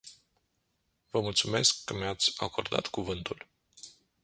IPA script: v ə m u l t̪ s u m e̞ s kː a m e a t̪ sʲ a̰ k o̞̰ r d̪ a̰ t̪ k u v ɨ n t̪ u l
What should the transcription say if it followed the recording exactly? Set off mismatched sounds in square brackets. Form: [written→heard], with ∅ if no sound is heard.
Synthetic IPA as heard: v ə m u l t̪ s u m e̞ s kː [a→ə] m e a t̪ sʲ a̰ k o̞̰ r d̪ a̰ t̪ k u v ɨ n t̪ u l